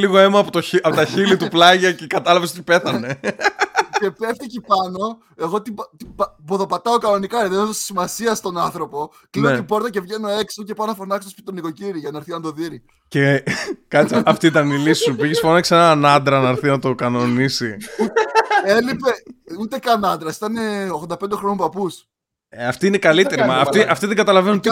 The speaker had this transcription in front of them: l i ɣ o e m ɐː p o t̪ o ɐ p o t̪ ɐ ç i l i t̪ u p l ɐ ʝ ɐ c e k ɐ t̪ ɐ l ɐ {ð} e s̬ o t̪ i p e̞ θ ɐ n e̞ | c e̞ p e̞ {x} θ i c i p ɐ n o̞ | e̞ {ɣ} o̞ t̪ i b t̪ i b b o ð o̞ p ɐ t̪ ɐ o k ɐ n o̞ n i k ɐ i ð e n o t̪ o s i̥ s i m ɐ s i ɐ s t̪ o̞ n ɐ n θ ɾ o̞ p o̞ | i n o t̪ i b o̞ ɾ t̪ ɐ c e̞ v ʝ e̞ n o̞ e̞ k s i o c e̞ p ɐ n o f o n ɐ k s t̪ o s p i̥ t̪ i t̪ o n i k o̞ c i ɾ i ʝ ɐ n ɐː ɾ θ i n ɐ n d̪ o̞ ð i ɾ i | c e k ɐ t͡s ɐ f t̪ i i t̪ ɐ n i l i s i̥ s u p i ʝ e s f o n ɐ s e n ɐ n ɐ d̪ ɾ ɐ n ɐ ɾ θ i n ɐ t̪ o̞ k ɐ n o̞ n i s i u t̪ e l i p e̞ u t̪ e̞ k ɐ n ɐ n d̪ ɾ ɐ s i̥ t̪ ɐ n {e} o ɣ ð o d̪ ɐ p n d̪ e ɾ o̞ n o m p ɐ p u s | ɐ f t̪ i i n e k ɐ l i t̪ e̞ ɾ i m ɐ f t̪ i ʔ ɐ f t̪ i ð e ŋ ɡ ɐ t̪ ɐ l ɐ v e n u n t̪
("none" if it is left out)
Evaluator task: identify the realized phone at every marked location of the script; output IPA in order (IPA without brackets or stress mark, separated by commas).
v, f, ɣ, e